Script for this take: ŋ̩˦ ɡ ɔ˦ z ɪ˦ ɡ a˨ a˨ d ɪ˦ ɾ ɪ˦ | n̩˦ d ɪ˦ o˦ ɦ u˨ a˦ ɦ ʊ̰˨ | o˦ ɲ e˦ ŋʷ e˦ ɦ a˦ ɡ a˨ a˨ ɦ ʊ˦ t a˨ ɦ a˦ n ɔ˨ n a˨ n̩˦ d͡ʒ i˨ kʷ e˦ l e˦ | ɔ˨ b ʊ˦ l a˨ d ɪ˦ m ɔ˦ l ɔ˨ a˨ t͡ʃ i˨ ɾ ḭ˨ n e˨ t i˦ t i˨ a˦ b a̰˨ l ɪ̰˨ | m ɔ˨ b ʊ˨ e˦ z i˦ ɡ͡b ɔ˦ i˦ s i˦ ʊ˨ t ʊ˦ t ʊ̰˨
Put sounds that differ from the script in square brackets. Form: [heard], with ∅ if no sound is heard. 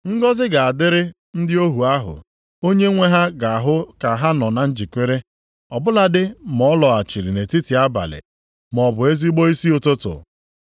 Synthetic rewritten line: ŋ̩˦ ɡ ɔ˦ z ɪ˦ ɡ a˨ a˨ d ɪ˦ ɾ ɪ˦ | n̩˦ d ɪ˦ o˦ ɦ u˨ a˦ ɦ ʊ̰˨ | o˦ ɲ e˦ ŋʷ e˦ ɦ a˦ ɡ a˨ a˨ ɦ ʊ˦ [k] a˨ ɦ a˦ n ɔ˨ n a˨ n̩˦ d͡ʒ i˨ kʷ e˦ [ɾ] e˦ | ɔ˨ b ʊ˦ l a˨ d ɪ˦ m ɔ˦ l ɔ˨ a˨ t͡ʃ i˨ ɾ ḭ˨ n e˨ t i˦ t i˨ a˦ b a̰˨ l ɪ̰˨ | m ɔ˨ b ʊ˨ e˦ z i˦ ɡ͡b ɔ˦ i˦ s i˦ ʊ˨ t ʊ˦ t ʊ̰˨